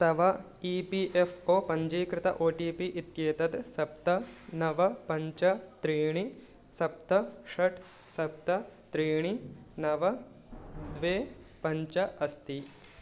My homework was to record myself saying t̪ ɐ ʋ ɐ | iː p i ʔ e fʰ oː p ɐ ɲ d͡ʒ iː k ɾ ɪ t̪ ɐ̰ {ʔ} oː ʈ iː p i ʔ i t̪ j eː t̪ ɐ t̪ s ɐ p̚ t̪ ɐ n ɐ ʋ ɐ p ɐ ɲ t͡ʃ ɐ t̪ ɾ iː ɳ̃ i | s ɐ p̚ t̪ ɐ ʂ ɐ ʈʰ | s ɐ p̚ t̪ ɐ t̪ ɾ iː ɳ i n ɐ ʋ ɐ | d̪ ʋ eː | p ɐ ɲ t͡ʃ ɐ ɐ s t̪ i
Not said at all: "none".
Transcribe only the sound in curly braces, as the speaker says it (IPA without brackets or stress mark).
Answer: ʔ